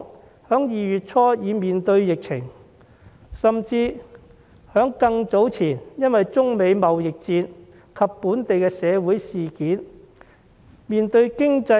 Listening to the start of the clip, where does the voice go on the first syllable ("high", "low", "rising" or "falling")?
rising